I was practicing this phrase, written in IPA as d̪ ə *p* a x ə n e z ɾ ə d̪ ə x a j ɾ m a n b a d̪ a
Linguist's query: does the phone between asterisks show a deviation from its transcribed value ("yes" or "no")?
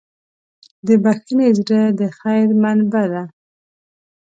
yes